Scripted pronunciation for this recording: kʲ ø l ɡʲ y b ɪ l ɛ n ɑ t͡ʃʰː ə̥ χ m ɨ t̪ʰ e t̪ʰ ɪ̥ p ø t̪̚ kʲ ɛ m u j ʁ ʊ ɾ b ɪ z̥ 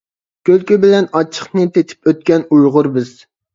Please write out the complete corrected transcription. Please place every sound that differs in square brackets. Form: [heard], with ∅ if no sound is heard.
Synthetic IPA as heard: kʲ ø l [kʲ] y b ɪ l ɛ n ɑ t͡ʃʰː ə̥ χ [n] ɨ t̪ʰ e t̪ʰ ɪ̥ p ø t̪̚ kʲ ɛ [n] u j ʁ ʊ ɾ b ɪ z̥